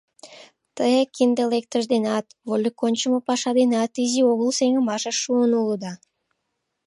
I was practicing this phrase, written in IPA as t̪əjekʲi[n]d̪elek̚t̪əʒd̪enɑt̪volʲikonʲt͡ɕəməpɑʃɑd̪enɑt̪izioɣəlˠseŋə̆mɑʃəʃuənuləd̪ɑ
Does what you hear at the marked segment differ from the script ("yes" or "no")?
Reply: no